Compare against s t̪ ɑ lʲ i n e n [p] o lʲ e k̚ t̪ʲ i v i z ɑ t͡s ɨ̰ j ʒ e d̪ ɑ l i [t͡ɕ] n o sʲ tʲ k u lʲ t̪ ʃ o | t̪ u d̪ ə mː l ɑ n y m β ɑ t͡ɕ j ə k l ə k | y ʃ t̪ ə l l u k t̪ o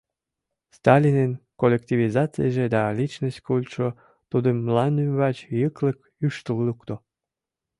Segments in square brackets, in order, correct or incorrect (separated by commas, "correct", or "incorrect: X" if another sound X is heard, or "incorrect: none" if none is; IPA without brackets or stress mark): incorrect: k, correct